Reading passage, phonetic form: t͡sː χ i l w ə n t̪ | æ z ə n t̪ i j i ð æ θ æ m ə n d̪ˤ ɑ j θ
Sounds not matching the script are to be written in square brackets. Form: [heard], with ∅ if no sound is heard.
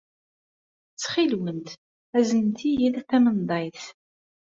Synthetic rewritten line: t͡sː χ i l w ə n t̪ | æ z ə n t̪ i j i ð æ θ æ m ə n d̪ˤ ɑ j θ